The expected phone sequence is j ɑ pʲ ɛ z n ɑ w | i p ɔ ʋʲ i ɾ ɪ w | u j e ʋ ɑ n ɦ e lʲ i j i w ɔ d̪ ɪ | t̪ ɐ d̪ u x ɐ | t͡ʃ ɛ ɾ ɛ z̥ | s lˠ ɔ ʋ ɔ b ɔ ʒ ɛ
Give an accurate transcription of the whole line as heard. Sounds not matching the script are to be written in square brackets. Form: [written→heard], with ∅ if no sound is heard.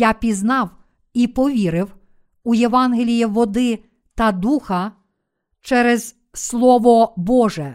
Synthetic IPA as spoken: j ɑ pʲ [ɛ→i] z n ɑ w | i p ɔ ʋʲ i ɾ ɪ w | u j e ʋ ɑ n ɦ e lʲ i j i [w→ʋ] ɔ d̪ ɪ | t̪ ɐ d̪ u x ɐ | t͡ʃ ɛ ɾ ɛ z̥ | s lˠ ɔ ʋ ɔ b ɔ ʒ ɛ